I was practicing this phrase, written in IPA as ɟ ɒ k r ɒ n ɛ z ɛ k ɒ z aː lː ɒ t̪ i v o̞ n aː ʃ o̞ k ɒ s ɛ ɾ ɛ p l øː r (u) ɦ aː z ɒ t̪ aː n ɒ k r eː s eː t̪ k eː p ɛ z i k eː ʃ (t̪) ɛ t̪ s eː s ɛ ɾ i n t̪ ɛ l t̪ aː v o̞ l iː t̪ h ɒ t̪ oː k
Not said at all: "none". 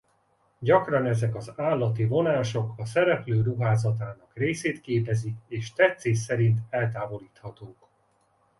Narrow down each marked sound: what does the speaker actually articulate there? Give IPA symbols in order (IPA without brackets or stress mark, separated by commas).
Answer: u, t̪